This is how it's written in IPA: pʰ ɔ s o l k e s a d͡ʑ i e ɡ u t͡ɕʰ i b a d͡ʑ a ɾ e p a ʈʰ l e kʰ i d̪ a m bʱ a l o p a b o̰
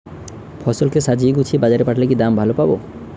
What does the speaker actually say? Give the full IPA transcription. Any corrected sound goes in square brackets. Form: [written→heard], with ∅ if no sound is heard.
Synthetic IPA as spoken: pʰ ɔ s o l k e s a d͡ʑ i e ɡ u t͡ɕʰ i b a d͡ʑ a ɾ e p a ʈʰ l e [kʰ→k] i d̪ a m bʱ a l o p a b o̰